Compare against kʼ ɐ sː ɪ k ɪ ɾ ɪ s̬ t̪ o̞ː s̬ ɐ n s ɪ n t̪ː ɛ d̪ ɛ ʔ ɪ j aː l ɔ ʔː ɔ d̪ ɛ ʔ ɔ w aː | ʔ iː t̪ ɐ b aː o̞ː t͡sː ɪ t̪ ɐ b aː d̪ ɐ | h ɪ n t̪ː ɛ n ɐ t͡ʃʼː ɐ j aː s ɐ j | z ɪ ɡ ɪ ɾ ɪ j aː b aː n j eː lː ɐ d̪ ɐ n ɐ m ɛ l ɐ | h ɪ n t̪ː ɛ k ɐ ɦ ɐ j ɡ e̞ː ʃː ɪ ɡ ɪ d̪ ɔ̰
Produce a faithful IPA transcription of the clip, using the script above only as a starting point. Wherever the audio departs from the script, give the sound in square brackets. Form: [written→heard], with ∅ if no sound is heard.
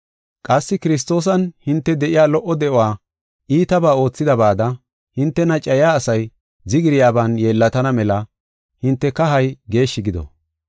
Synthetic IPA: kʼ ɐ sː ɪ k ɪ ɾ ɪ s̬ t̪ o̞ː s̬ ɐ n [s→h] ɪ n t̪ː ɛ d̪ ɛ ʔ ɪ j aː l ɔ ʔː ɔ d̪ ɛ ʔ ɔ w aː | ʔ iː t̪ ɐ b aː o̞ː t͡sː ɪ [t̪→d̪] ɐ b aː d̪ ɐ | h ɪ n t̪ː ɛ n ɐ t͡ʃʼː ɐ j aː s ɐ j | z ɪ ɡ ɪ ɾ ɪ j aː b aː n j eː lː ɐ [d̪→t̪] ɐ n ɐ m ɛ l ɐ | h ɪ n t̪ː ɛ k ɐ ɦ ɐ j ɡ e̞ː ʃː ɪ ɡ ɪ d̪ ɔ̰